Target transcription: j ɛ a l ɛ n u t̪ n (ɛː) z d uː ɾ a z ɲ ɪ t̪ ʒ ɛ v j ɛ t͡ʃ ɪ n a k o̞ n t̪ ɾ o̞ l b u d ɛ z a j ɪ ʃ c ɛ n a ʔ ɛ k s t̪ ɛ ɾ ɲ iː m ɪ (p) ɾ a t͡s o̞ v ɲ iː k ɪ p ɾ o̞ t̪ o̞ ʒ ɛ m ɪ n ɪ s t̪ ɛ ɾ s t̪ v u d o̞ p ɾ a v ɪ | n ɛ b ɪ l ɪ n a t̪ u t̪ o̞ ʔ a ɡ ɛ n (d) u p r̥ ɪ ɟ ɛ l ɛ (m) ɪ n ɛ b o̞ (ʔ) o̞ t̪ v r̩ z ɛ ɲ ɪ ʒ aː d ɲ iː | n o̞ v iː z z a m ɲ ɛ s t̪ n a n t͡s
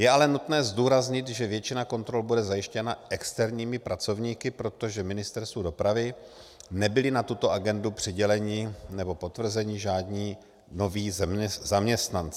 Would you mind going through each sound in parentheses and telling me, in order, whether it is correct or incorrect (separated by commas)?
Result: correct, correct, correct, incorrect, incorrect